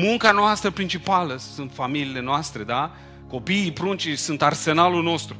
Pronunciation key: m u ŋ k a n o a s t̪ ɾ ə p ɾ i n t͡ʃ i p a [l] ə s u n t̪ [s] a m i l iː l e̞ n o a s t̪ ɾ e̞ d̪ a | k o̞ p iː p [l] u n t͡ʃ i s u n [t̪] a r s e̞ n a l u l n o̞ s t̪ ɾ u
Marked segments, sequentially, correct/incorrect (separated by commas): correct, incorrect, incorrect, correct